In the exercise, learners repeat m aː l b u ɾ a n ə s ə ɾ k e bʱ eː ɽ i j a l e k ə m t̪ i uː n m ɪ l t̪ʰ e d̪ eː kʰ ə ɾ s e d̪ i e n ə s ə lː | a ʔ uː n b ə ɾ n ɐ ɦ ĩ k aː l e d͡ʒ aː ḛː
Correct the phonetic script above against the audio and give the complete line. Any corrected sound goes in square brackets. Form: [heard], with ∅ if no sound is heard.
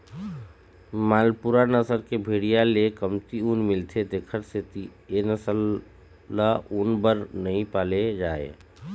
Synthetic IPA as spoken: m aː l [p] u ɾ a n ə s ə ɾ k e bʱ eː ɽ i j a l e k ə m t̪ i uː n m ɪ l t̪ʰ e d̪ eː kʰ ə ɾ s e [t̪] i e n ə s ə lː | a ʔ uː n b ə ɾ n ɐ ɦ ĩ [p] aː l e d͡ʒ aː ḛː